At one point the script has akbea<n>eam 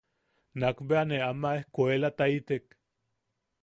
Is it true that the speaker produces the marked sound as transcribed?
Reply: yes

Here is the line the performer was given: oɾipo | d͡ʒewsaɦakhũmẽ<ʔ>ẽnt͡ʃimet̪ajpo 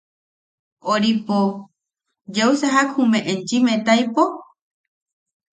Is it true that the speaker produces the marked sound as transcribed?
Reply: yes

